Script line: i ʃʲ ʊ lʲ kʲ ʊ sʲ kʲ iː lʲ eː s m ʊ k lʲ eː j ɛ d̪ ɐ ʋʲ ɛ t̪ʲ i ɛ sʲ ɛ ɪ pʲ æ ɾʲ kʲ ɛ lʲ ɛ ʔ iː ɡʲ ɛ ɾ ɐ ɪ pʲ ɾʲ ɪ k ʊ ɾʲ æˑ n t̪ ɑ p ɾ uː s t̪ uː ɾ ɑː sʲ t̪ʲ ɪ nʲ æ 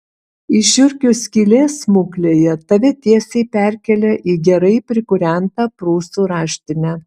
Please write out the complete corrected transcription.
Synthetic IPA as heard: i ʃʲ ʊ ɾʲ kʲ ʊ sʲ kʲ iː lʲ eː s m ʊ k lʲ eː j ɛ t̪ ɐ ʋʲ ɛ t̪ʲ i ɛ sʲ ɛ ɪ pʲ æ ɾʲ kʲ ɛ lʲ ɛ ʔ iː ɡʲ ɛ ɾ ɐ ɪ pʲ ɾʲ ɪ k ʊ ɾʲ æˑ n t̪ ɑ p ɾ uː s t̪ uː ɾ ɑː ʃʲ t̪ʲ ɪ nʲ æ